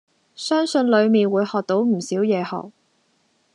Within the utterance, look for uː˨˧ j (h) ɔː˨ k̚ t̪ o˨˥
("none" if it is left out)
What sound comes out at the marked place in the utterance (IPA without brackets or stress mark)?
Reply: h